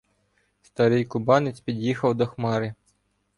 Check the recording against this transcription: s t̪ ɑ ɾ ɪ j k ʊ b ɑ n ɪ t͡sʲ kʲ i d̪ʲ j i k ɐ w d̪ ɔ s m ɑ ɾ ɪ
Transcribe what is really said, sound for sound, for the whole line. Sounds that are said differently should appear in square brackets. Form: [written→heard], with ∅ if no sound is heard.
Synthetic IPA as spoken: s t̪ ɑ ɾ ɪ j k ʊ b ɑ n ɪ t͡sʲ [kʲ→pʲ] i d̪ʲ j i [k→x] ɐ w d̪ ɔ [s→x] m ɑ ɾ ɪ